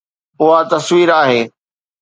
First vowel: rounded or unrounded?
rounded